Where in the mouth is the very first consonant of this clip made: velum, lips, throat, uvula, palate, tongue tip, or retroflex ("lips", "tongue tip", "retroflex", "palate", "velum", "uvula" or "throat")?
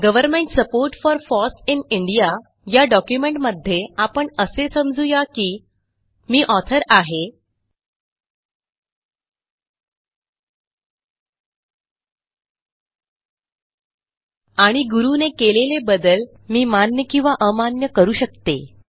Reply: velum